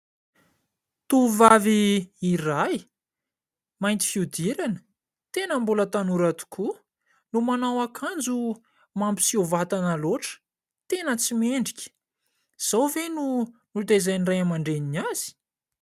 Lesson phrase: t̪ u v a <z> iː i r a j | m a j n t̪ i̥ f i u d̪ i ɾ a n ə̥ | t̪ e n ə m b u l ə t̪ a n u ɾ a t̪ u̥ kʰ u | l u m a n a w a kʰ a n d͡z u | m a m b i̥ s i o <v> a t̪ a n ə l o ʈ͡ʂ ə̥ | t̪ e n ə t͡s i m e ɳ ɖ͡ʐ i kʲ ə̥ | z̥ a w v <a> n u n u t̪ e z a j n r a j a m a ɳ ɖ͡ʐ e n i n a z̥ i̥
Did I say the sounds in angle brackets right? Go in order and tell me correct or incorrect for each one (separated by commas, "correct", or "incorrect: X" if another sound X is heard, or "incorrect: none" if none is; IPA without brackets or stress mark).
incorrect: v, correct, incorrect: e